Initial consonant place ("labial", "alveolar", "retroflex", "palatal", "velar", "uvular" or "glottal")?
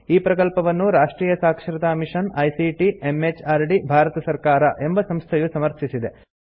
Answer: labial